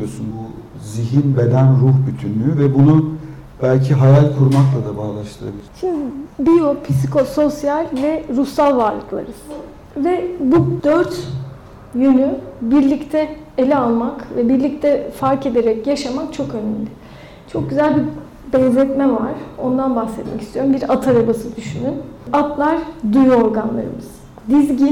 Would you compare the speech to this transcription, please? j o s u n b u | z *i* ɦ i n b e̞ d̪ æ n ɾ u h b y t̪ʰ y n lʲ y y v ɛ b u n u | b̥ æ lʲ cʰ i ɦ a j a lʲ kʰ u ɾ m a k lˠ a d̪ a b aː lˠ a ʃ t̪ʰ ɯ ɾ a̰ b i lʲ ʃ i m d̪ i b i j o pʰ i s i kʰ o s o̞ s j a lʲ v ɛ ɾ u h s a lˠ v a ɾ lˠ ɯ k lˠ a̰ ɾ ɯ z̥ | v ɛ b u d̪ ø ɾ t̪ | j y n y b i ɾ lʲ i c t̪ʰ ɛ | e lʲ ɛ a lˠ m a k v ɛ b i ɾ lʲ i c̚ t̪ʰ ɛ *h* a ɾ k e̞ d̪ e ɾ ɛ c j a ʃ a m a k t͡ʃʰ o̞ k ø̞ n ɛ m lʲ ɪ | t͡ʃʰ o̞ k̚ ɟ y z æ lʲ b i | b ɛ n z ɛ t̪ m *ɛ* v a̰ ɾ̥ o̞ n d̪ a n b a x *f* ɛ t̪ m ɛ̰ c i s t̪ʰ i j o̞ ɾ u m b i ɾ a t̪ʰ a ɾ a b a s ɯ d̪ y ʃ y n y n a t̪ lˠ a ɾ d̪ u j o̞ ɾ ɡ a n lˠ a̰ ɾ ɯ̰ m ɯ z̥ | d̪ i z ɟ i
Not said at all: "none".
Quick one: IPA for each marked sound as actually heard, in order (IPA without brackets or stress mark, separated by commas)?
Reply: i, f, ɛ, s